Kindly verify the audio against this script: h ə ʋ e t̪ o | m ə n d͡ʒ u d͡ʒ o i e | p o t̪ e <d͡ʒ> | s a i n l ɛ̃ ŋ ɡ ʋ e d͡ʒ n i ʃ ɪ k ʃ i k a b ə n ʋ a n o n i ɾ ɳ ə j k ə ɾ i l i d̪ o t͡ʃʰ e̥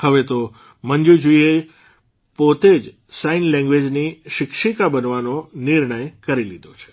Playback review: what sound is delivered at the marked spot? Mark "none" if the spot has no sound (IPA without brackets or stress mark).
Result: d͡ʒ